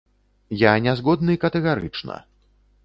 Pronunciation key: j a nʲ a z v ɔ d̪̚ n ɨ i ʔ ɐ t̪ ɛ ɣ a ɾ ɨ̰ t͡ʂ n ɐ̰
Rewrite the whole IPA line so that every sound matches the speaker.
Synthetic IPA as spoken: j a nʲ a z ɣ ɔ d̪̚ n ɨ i k ɐ t̪ ɛ ɣ a ɾ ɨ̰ t͡ʂ n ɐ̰